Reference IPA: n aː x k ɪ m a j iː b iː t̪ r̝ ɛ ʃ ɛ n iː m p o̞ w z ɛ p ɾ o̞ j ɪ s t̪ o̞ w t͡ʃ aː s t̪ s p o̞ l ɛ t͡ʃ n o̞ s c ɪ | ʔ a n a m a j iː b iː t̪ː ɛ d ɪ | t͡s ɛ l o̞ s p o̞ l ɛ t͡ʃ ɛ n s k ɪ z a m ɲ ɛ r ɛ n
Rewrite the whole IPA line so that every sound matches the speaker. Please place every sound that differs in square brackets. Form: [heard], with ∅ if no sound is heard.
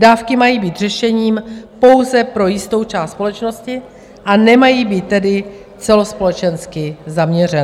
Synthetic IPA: [d] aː [f] k ɪ m a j iː b iː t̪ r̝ ɛ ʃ ɛ [ɲ] iː m p o̞ w z ɛ p ɾ o̞ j ɪ s t̪ o̞ w t͡ʃ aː s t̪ s p o̞ l ɛ t͡ʃ n o̞ s c ɪ | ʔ a n [ɛ] m a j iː b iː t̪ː ɛ d ɪ | t͡s ɛ l o̞ s p o̞ l ɛ t͡ʃ ɛ n s k ɪ z a m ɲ ɛ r ɛ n